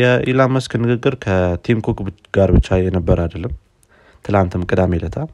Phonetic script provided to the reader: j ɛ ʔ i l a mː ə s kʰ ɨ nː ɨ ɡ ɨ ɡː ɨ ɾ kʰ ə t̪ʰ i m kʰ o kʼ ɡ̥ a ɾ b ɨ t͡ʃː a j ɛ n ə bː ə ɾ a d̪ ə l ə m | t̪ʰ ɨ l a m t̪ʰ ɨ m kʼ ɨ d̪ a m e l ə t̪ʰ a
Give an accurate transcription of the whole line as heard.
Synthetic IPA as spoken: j ɛ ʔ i l a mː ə s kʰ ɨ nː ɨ ɡ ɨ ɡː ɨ ɾ kʰ ə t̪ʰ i m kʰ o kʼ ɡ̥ a ɾ b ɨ t͡ʃː a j ɛ n ə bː ə ɾ a d̪ ə lː ə m | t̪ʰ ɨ l a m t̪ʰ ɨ m kʼ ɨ d̪ a m e l ə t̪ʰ a